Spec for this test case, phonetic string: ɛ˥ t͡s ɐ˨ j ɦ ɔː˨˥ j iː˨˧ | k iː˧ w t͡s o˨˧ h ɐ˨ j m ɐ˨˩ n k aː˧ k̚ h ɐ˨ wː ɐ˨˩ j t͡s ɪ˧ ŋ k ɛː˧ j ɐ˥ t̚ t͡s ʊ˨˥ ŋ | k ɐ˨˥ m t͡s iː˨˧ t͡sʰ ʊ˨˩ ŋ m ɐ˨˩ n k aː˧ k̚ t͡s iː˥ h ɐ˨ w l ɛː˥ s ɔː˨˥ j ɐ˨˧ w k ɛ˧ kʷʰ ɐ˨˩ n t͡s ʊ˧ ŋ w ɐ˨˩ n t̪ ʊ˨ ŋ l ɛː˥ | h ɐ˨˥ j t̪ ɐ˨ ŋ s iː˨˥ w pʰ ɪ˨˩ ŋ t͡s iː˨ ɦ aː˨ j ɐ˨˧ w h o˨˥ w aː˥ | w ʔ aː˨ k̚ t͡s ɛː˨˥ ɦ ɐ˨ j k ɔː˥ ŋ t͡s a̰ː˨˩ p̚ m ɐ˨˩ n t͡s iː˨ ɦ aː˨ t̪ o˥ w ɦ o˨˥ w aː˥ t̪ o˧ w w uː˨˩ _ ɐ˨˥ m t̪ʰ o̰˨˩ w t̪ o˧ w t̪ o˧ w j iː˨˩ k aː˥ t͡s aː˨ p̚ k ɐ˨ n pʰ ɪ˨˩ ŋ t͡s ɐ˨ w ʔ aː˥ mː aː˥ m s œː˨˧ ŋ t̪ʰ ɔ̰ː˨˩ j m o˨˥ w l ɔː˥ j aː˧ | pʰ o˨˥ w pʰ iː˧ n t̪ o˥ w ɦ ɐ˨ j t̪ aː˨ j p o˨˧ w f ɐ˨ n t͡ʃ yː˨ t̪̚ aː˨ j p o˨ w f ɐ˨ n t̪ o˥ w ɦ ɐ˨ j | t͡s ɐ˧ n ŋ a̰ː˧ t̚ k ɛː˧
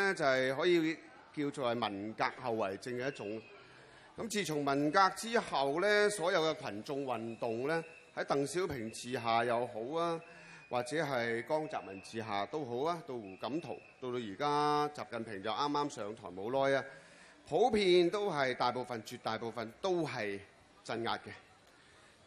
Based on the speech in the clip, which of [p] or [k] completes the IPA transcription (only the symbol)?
k